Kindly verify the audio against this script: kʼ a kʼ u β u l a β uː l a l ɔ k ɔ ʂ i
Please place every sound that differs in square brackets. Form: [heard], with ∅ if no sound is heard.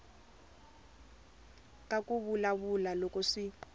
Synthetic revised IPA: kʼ a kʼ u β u l a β [u] l a l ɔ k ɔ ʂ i